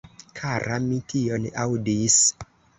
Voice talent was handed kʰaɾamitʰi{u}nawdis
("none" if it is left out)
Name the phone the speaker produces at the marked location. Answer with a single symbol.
o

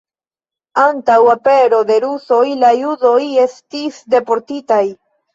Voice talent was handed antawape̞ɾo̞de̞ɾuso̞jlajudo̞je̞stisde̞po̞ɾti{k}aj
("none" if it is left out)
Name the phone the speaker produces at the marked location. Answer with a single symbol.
t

